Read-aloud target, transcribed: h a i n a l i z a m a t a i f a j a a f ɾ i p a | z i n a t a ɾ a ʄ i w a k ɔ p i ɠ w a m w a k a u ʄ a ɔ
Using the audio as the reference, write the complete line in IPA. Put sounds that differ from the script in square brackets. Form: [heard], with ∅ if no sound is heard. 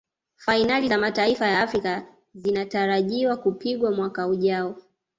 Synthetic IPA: [f] a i n a l i z a m a t a i f a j a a f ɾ i [k] a | z i n a t a ɾ a ʄ i w a k [u] p i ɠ w a m w a k a u ʄ a ɔ